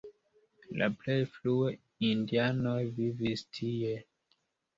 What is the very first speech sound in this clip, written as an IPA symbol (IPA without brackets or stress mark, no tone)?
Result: l